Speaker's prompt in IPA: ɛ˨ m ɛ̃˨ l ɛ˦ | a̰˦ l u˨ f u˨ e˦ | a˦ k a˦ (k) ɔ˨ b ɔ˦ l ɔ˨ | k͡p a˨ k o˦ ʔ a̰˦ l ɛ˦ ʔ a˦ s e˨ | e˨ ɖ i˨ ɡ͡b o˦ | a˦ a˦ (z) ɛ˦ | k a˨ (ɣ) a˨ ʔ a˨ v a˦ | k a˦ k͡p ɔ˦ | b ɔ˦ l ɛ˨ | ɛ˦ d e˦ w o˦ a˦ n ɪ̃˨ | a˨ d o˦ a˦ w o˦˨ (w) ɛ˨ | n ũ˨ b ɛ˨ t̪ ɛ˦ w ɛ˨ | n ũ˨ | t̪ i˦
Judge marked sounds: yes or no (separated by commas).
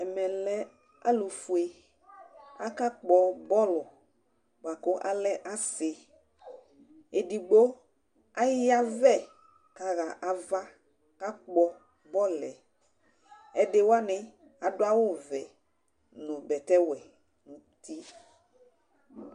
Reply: no, no, yes, no